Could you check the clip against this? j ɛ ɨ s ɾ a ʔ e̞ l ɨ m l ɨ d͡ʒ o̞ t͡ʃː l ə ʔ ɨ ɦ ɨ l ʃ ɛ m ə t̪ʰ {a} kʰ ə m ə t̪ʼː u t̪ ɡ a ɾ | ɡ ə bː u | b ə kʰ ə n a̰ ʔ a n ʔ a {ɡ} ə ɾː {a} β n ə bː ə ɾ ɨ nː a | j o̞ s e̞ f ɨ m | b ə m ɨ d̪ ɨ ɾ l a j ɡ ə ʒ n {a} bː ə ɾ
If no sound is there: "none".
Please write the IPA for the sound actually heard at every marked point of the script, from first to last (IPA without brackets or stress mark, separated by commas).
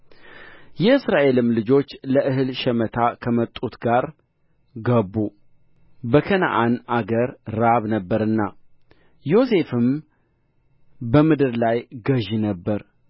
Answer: a, ɡ, a, ə